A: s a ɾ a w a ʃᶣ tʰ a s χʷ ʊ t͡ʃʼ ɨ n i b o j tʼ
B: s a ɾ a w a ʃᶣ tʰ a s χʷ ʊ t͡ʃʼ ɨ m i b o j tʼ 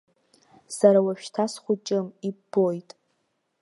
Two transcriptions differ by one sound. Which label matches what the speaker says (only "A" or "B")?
B